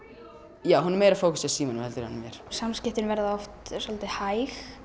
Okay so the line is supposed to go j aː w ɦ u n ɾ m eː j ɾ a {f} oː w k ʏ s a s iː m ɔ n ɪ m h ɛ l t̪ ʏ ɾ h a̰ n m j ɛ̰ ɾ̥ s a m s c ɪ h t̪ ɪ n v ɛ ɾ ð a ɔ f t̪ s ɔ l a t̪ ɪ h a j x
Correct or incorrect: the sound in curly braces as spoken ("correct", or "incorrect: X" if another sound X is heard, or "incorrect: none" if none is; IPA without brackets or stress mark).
correct